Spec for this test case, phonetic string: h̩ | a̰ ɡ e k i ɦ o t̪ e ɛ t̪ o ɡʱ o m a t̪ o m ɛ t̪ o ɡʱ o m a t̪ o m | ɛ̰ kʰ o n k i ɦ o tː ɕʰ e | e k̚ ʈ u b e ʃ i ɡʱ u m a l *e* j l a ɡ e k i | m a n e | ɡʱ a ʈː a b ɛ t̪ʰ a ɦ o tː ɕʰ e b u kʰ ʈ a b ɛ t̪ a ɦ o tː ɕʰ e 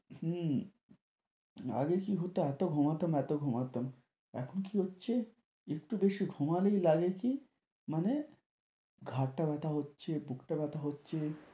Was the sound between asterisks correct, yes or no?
yes